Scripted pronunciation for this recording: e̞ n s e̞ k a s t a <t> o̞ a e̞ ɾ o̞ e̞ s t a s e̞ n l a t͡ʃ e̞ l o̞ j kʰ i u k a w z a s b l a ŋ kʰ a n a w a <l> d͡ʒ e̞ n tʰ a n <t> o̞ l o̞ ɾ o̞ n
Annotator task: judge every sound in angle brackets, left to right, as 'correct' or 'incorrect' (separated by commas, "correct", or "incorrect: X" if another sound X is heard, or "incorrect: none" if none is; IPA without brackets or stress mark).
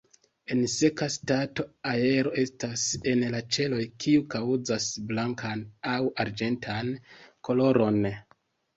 correct, incorrect: ɾ, incorrect: k